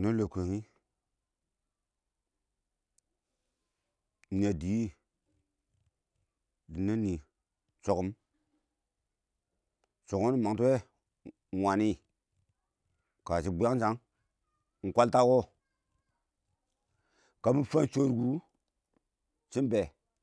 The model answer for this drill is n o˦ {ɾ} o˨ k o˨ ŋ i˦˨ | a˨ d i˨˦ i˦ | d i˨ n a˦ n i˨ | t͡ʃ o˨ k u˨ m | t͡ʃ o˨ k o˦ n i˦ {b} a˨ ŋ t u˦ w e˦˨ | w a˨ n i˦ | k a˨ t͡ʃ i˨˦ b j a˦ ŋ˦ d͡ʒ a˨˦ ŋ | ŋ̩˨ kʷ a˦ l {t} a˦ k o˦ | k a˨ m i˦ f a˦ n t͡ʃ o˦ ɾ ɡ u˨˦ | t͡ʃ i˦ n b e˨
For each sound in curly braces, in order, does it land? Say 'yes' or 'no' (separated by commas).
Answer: no, no, yes